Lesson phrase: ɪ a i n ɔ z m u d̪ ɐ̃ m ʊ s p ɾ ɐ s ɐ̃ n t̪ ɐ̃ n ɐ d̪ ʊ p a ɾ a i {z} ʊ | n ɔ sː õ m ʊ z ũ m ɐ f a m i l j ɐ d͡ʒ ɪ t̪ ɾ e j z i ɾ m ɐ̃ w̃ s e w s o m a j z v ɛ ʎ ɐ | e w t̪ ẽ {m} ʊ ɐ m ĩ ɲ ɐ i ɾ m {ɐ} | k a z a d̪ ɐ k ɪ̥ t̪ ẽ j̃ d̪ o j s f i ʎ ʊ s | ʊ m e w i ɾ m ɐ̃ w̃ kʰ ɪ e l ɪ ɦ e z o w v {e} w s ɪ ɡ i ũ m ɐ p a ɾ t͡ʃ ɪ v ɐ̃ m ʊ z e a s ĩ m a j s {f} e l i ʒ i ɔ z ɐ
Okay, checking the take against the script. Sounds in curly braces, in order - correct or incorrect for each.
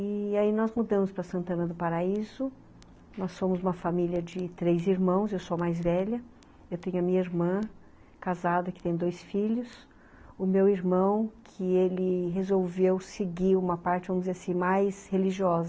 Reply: correct, incorrect: ɲ, incorrect: ɐ̃, correct, incorrect: h

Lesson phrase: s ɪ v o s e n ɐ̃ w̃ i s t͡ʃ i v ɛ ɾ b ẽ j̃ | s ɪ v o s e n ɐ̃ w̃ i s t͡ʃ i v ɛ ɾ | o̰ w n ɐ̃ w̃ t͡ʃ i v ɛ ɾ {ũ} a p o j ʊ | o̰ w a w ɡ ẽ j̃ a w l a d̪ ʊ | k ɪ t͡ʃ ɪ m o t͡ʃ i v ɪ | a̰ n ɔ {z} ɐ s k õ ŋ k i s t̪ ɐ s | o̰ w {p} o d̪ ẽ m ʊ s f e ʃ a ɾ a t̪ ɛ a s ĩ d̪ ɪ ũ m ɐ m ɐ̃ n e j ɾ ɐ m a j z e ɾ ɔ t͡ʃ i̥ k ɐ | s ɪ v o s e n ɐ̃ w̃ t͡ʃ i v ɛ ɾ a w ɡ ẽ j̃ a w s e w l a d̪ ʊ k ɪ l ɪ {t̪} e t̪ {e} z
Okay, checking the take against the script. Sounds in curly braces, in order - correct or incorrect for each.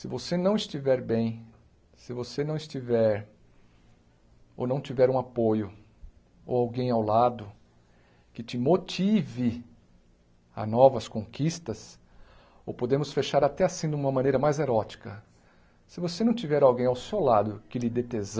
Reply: correct, incorrect: v, correct, incorrect: d̪, correct

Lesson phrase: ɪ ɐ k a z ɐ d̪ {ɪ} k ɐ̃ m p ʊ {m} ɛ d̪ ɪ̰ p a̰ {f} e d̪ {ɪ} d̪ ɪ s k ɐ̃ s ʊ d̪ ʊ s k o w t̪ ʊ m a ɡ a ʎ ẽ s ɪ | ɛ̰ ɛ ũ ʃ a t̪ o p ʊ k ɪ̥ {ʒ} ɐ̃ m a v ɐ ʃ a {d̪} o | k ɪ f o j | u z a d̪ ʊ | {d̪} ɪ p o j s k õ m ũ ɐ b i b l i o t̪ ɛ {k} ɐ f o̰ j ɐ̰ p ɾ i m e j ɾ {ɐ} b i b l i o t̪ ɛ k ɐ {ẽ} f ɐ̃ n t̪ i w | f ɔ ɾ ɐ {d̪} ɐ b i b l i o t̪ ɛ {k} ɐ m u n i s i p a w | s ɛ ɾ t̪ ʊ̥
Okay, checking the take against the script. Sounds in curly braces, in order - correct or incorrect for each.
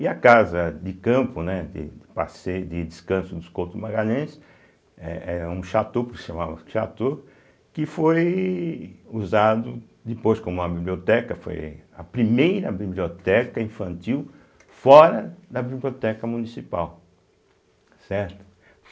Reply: correct, incorrect: n, incorrect: s, correct, incorrect: ʃ, incorrect: t̪, correct, correct, correct, incorrect: ĩ, correct, correct

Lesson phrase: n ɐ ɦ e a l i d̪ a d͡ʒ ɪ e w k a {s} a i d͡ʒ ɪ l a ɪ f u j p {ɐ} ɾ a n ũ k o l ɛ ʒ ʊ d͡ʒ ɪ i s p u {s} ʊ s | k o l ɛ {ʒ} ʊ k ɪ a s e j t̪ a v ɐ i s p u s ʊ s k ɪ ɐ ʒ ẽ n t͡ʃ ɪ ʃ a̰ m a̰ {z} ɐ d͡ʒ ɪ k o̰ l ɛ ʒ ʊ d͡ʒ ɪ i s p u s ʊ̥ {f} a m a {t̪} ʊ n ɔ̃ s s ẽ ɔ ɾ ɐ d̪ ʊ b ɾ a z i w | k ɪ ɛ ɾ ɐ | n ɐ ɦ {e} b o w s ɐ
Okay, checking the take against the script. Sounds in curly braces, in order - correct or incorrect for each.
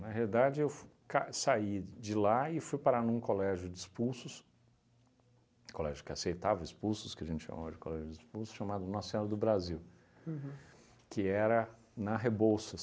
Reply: correct, incorrect: a, correct, correct, incorrect: v, incorrect: ʃ, incorrect: d̪, correct

